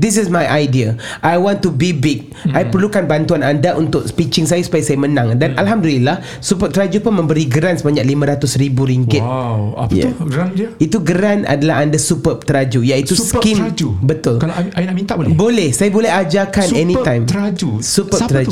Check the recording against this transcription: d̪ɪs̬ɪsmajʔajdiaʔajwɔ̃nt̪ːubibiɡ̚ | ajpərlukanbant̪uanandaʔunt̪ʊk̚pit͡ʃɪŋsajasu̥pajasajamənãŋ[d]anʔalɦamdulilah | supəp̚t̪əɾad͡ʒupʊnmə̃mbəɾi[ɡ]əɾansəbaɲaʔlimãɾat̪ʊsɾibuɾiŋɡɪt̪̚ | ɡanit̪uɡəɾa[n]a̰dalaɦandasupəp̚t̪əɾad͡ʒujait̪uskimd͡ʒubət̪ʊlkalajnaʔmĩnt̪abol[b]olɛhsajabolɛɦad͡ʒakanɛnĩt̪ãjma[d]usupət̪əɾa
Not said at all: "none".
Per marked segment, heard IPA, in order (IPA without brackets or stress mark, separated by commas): d, ɡ, n, b, d͡ʒ